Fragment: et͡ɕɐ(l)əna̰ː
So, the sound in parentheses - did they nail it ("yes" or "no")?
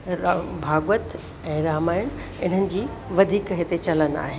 yes